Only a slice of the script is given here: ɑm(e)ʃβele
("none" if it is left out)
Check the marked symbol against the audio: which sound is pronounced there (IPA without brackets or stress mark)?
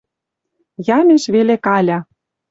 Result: e